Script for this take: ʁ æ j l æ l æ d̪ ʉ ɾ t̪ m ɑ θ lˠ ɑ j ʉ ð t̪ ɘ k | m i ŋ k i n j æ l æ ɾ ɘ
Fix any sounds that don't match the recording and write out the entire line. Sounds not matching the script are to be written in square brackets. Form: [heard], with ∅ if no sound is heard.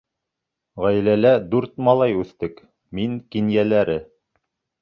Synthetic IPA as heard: ʁ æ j l æ l æ d̪ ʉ ɾ t̪ m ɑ [∅] lˠ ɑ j ʉ [θ] t̪ ɘ k | m i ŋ k i n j æ l æ ɾ ɘ